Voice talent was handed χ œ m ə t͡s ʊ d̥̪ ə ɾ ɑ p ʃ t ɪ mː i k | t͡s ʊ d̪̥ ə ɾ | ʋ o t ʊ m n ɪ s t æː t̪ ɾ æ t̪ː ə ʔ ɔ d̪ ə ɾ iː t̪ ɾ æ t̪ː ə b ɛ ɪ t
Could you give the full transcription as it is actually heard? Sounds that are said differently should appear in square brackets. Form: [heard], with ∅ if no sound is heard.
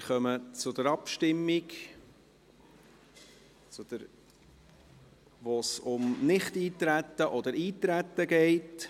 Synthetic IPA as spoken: χ œ m ə t͡s ʊ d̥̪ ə ɾ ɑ p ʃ t ɪ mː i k | t͡s ʊ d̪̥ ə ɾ | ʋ o [s] ʊ m n ɪ [χ] t [iː] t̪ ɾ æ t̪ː ə ʔ ɔ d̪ ə ɾ iː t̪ ɾ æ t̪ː ə [ɡ] ɛ ɪ t